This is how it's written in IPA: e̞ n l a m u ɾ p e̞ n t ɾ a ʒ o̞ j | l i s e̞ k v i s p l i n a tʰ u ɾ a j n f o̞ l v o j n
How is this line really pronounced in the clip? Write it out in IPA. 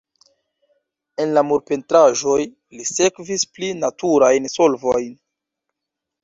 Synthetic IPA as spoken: e̞ n l a m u ɾ p e̞ n t ɾ a ʒ o̞ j | l i s e̞ k v i s p l i n a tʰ u ɾ a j n s o̞ l v o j n